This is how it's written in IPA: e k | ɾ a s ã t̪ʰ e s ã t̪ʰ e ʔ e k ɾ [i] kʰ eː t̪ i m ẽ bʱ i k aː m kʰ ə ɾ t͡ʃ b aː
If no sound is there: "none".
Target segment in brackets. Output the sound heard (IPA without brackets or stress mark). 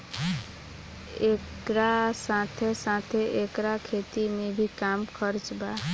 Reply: a